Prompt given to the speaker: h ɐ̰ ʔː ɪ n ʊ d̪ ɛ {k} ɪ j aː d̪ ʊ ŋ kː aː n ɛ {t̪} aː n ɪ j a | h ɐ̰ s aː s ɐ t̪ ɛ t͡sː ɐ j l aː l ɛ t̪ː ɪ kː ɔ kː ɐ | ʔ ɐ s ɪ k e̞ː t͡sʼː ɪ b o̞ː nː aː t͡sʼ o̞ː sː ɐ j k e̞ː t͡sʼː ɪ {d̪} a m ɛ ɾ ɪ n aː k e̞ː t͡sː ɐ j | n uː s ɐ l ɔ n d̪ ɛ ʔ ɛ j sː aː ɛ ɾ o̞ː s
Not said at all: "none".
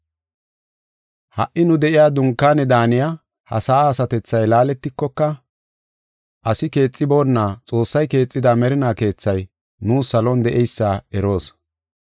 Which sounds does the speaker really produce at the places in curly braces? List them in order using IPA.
ʔ, d̪, d̪

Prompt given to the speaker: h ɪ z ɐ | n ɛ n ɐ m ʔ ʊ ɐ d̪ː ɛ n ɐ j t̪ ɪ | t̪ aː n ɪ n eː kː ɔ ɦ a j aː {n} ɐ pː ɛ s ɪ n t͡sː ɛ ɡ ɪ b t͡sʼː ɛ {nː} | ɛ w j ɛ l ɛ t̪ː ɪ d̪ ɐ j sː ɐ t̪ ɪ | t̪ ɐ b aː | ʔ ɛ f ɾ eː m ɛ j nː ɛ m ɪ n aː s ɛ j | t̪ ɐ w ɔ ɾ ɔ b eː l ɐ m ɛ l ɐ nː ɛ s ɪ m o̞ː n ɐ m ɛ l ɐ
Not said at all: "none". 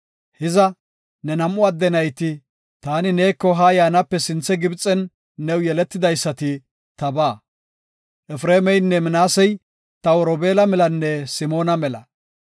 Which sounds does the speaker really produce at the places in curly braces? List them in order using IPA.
n, nː

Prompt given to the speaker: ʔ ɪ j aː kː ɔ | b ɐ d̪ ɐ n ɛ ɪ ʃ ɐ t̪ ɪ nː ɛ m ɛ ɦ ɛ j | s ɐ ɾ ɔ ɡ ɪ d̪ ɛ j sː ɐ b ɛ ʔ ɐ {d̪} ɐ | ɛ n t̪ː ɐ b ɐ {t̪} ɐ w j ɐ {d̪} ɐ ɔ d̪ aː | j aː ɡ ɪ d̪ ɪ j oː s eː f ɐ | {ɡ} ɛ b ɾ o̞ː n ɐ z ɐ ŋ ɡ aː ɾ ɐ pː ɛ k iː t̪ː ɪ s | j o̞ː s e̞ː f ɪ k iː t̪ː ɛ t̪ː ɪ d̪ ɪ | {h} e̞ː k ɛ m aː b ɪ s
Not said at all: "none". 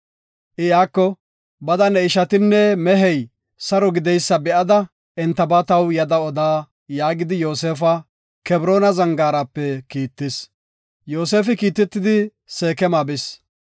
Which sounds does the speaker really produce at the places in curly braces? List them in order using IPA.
d̪, t̪, d̪, k, s

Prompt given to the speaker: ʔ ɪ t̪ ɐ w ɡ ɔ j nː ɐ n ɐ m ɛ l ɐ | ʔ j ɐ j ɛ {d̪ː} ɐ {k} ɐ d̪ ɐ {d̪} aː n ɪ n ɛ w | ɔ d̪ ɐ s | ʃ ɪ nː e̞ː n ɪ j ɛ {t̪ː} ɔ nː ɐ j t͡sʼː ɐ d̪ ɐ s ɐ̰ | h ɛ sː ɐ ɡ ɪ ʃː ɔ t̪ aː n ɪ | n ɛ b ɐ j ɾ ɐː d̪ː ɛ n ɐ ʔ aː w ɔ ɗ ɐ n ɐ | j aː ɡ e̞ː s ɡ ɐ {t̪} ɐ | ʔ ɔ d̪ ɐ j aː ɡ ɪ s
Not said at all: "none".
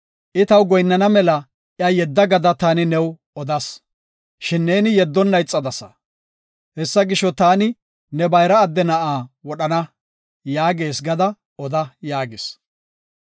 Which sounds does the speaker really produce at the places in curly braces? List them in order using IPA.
d̪ː, ɡ, t̪, d̪ː, d̪

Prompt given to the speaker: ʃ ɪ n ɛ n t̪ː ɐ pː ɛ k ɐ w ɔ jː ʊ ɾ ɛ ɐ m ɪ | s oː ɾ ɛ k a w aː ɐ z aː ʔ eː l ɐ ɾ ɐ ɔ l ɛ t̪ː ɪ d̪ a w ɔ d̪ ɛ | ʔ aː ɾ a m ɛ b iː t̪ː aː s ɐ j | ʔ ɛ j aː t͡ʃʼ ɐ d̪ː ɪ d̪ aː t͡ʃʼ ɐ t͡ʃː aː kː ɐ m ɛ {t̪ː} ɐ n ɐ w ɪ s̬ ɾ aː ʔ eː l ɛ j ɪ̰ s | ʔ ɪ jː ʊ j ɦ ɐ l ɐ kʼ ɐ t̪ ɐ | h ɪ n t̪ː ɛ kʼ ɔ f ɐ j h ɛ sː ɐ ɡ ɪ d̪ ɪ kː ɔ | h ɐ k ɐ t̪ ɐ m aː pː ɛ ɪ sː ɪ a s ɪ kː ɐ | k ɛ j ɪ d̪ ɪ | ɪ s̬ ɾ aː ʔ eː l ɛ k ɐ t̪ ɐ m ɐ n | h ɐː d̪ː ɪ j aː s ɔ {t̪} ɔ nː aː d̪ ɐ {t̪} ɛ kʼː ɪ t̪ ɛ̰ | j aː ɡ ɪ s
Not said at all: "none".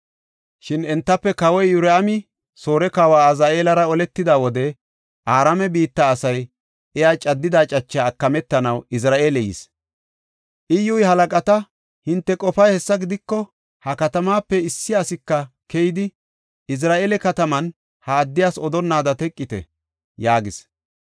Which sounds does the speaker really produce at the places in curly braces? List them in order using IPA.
t̪ː, d̪, t̪

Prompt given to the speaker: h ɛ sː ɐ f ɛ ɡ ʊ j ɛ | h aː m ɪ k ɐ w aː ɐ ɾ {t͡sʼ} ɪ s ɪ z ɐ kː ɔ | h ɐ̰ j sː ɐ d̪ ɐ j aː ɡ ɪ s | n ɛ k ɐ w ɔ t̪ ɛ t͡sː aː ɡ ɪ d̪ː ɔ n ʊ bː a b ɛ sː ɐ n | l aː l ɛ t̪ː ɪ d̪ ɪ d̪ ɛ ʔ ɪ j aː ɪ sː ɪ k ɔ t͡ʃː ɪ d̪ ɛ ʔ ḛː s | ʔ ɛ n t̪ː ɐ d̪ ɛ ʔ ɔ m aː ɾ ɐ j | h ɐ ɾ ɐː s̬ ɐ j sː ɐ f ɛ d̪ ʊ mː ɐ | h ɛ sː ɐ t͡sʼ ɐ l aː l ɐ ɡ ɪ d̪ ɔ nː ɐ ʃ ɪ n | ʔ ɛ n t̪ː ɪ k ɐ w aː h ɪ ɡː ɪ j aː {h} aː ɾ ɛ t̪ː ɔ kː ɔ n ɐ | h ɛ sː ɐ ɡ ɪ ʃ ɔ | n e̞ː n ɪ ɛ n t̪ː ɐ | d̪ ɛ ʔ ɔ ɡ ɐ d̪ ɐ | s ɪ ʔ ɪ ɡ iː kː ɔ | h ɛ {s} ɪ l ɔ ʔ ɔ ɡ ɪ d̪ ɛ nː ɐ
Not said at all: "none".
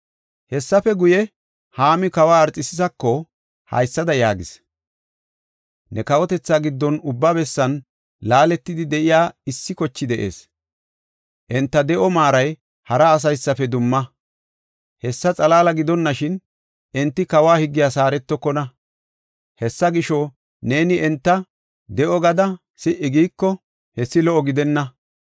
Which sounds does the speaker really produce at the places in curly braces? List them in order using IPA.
t͡sʼ, s, sː

